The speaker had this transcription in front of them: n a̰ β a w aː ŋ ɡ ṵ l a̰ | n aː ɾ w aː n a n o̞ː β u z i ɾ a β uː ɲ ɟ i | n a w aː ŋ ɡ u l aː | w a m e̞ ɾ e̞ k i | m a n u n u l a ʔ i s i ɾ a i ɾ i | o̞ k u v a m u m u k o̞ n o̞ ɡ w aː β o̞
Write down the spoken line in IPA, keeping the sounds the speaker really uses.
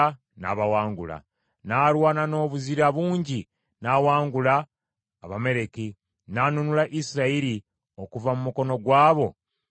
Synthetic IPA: n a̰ β a w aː ŋ ɡ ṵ l a̰ | n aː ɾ w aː n a n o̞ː β u z i ɾ a β uː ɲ ɟ i | n a w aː ŋ ɡ u l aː | β a m e̞ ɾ e̞ k i | n a n u n u l a ʔ i s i ɾ a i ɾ i | o̞ k u v a m u m u k o̞ n o̞ ɡ w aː β o̞